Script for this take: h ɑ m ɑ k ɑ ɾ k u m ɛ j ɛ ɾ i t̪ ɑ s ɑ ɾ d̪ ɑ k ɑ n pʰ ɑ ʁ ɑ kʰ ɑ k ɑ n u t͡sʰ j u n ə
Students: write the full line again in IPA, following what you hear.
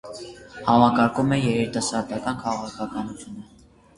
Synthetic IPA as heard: h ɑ m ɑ k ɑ ɾ k u m ɛ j ɛ ɾ i t̪ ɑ s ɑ ɾ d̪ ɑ k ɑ n kʰ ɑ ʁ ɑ kʰ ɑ k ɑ n u t͡sʰ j u n ə